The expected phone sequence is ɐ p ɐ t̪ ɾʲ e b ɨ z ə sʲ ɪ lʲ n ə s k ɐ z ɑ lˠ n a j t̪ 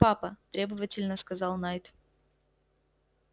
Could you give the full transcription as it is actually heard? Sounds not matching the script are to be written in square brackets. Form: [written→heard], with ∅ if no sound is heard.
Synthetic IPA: [ɐ→a] p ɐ t̪ ɾʲ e b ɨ [z→v] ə [sʲ→tʲ] ɪ lʲ n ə s k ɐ z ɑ lˠ n a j t̪